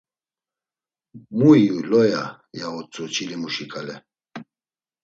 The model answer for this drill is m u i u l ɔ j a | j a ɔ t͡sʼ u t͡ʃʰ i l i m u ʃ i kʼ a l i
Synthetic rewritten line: m u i u l ɔ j a | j a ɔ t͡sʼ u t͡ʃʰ i l i m u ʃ i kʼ a l ɛ